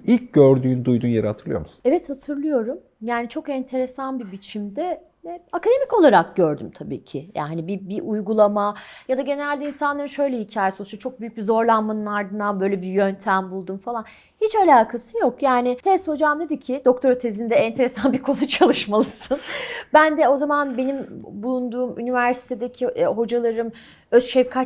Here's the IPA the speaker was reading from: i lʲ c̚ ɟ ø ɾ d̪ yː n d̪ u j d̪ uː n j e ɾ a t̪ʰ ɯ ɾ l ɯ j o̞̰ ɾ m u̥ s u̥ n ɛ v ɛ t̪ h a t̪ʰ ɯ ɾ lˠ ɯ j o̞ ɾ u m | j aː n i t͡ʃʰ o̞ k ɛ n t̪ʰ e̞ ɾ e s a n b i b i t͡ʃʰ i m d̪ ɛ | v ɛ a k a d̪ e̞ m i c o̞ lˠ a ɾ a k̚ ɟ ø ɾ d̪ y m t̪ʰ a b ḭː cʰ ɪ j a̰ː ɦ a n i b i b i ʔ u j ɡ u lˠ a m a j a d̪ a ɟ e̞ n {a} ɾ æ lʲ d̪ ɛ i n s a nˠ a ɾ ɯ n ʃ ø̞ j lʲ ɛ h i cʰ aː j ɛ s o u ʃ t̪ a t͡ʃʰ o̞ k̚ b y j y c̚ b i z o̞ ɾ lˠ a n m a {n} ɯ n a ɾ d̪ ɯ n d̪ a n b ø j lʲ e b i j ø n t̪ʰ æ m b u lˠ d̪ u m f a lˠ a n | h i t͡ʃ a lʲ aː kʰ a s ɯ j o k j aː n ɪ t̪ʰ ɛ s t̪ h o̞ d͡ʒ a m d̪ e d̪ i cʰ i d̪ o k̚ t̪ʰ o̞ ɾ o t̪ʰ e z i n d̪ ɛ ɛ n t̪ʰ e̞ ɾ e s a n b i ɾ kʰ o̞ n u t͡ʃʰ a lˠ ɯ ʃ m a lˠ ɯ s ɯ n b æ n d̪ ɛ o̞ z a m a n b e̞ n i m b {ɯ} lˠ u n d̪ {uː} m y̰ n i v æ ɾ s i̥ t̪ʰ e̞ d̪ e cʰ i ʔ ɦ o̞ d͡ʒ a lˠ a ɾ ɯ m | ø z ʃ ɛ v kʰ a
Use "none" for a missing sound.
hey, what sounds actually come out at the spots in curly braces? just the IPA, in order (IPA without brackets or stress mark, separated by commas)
e, n, u, uː